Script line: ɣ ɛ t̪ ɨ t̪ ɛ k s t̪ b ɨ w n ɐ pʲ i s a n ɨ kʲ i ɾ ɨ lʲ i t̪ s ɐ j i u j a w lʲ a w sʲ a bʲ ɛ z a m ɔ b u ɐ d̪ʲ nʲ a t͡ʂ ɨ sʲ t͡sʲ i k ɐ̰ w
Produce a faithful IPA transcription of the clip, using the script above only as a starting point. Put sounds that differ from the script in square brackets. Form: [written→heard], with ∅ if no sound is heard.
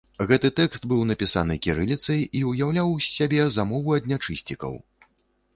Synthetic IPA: ɣ ɛ t̪ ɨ t̪ ɛ k s t̪ b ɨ w n ɐ pʲ i s a n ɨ kʲ i ɾ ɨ lʲ i t̪ s ɐ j i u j a w lʲ a w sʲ a bʲ ɛ z a m ɔ [b→v] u ɐ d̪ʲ nʲ a t͡ʂ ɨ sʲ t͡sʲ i k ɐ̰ w